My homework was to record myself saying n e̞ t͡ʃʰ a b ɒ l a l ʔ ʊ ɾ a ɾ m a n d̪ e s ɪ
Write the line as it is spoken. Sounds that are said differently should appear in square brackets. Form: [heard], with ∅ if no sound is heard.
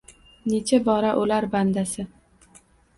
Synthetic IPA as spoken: n e̞ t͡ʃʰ a b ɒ [ɾ] a [∅] ʔ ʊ [l] a ɾ [b] a n d̪ [a] s ɪ